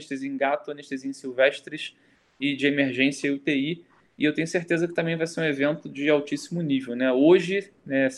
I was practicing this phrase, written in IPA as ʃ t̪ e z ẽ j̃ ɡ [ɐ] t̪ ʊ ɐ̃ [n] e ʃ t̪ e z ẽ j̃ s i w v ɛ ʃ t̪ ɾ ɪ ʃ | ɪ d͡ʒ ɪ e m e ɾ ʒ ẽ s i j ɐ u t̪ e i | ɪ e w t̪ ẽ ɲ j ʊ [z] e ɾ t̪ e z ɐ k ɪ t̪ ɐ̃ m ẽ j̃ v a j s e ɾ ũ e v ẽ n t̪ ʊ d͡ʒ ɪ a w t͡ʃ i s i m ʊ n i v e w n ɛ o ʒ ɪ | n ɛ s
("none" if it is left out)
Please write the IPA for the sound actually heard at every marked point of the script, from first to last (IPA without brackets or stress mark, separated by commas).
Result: a, n, s